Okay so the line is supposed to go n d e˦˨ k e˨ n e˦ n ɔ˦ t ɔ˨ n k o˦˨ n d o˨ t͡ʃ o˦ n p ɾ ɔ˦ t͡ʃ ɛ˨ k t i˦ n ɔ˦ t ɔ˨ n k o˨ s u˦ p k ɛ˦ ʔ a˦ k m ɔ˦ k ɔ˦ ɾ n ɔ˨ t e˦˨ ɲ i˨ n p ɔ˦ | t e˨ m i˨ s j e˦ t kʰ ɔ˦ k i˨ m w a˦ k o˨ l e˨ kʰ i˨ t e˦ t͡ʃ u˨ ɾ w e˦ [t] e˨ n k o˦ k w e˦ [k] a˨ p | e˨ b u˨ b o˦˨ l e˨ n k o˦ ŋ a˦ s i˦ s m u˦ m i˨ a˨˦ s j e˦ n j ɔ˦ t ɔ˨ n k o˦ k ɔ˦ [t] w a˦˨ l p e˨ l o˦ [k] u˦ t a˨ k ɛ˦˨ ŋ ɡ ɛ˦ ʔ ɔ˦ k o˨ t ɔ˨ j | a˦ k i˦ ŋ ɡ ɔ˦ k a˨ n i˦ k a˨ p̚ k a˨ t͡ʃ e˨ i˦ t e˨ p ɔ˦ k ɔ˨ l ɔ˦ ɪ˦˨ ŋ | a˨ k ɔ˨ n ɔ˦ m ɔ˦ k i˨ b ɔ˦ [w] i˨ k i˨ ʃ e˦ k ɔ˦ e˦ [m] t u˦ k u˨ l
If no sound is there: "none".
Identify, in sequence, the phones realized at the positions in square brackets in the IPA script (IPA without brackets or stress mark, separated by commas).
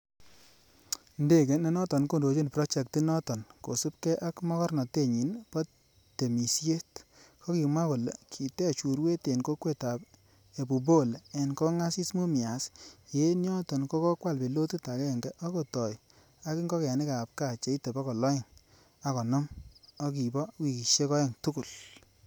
t, t, k, t, w, ŋ